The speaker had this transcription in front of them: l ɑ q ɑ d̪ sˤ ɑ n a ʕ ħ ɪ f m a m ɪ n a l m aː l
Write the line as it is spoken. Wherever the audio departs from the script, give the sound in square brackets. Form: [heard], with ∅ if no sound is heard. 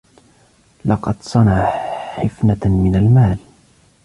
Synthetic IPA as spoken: l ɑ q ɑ d̪ sˤ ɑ n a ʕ ħ ɪ f [n] a m ɪ n a l m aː l